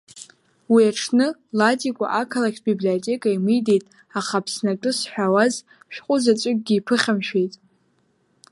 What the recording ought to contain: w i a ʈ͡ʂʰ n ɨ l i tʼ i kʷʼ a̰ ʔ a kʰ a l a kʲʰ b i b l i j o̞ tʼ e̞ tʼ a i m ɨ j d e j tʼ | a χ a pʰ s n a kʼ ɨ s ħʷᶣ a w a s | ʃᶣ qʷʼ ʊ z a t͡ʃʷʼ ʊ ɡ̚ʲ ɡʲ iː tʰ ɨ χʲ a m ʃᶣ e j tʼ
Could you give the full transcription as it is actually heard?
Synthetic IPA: w i a ʈ͡ʂʰ n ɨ l a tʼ i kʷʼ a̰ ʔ a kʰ a l a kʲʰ b i b l i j o̞ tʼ e̞ kʼ a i m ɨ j d e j tʼ | a χ a pʰ s n a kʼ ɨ s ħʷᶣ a w a z | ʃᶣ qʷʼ ʊ z a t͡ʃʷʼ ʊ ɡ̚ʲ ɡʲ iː pʰ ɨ χʲ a m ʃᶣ e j tʼ